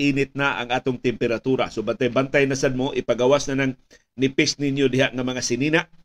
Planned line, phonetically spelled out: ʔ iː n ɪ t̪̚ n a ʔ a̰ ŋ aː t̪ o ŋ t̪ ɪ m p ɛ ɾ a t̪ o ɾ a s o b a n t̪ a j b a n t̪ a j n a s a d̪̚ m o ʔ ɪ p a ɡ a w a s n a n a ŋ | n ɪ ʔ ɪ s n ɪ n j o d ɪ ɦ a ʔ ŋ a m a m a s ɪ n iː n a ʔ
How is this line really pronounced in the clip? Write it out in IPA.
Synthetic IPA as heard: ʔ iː n ɪ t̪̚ n a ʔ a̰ ŋ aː t̪ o ŋ t̪ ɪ m p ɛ ɾ a t̪ u ɾ a s o b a n t̪ a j b a n t̪ a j n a s a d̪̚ m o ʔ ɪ p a ɡ a w a s n a n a ŋ | n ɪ p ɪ s n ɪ n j o d ɪ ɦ a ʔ ŋ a m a ŋ a s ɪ n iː n a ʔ